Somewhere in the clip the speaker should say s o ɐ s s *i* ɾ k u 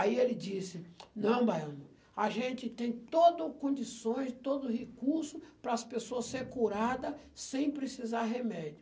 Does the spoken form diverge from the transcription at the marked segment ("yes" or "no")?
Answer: yes